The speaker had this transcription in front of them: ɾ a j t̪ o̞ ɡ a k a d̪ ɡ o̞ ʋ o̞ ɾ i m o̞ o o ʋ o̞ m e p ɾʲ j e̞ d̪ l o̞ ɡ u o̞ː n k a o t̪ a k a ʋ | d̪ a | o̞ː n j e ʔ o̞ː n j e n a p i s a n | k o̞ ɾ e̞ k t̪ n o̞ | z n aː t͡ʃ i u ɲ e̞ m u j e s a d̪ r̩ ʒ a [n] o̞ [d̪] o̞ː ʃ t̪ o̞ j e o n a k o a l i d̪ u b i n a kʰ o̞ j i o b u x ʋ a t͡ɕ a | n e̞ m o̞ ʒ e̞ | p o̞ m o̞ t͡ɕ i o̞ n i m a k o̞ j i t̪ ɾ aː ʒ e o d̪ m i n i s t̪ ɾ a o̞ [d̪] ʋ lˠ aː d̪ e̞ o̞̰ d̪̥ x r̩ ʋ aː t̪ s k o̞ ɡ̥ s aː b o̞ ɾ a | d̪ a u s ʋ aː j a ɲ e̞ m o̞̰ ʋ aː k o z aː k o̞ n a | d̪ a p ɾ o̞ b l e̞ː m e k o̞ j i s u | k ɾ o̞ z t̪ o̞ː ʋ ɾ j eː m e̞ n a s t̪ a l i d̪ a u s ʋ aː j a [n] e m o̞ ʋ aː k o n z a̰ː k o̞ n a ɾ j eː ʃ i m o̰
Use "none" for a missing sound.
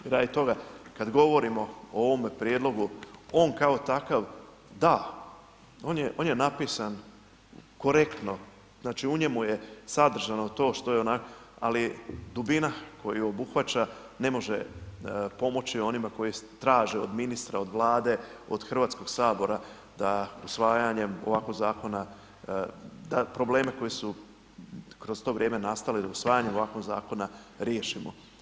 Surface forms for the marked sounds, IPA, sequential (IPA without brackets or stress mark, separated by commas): n, t̪, d̪, ɲ